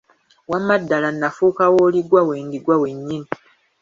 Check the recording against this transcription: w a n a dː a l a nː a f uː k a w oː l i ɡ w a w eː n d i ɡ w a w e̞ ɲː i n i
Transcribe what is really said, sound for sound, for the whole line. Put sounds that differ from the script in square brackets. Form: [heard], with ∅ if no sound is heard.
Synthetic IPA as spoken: w a [m] a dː a l a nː a f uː k a w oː l i ɡ w a w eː n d i ɡ w a w e̞ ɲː i n i